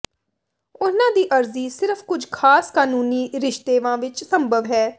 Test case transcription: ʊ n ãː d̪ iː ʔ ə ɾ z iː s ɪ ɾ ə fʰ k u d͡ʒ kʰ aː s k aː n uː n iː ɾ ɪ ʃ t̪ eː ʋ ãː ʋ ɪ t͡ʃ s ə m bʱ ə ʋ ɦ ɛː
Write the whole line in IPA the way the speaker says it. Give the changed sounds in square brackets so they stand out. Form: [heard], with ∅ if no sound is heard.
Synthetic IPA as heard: ʊ n ãː d̪ iː ʔ ə ɾ z iː s ɪ ɾ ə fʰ k [ʊ] d͡ʒ kʰ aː s k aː n uː n iː ɾ ɪ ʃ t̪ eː ʋ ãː ʋ ɪ t͡ʃ s ə m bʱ ə ʋ ɦ ɛː